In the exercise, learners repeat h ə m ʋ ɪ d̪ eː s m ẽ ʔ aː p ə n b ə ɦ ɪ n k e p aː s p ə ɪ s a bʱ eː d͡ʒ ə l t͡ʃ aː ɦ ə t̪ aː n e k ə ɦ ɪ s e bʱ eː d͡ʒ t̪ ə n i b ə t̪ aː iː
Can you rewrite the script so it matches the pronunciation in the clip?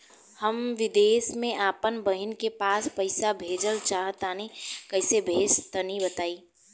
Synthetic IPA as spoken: h ə m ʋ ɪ d̪ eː s m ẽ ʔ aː p ə n b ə ɦ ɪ n k e p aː s p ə ɪ s a bʱ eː d͡ʒ ə l t͡ʃ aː ɦ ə t̪ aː n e k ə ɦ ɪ s e bʱ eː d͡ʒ t̪ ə n i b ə t̪ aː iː